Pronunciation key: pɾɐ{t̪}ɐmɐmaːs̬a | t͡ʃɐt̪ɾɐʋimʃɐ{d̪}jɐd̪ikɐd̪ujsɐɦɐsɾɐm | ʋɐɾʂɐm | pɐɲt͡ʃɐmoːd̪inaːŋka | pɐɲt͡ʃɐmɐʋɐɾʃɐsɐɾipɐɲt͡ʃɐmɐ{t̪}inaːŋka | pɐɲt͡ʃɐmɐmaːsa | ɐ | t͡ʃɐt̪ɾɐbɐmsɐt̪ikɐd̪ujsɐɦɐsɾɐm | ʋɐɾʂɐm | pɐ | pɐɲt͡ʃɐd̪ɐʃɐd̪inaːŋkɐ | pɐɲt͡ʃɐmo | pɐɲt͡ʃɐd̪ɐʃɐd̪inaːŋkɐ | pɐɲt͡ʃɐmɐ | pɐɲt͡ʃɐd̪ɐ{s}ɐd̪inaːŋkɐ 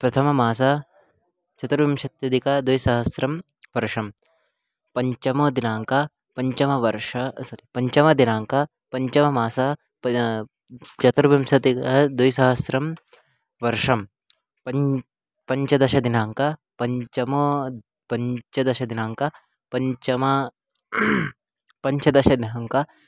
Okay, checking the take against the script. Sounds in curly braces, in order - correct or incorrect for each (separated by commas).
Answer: incorrect, incorrect, incorrect, incorrect